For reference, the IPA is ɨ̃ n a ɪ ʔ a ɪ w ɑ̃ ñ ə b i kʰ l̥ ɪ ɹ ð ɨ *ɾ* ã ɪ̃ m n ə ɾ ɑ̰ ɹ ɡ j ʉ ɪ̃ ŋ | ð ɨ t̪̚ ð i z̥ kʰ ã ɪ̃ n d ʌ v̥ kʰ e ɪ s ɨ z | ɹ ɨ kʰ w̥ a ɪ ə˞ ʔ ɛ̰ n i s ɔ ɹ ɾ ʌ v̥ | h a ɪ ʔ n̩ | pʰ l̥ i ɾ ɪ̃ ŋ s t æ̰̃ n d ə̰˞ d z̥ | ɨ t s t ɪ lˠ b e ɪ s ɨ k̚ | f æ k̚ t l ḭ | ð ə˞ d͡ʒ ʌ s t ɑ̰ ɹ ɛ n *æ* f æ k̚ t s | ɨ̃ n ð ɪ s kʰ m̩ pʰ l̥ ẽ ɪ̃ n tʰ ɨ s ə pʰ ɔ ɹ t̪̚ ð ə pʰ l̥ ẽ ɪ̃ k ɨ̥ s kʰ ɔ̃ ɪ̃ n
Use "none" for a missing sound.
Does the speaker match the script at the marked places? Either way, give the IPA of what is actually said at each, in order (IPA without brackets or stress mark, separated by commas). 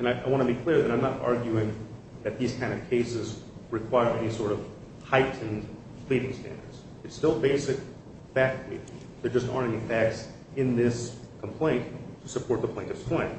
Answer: ɾ, i